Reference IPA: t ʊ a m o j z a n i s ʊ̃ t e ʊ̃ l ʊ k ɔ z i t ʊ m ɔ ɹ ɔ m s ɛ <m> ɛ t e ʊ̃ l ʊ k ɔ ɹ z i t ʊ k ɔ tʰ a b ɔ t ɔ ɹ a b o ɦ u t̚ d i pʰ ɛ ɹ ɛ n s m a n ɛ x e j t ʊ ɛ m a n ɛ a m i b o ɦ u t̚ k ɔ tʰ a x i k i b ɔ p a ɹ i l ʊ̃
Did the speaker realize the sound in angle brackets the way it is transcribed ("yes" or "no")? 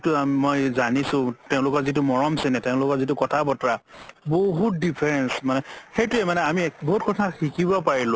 no